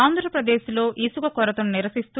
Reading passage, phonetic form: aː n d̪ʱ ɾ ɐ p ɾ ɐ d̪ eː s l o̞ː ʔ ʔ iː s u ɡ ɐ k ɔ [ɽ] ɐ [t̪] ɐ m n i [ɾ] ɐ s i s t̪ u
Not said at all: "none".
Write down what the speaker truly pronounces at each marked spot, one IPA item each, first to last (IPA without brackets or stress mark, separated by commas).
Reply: ɾ, t̪, ɾ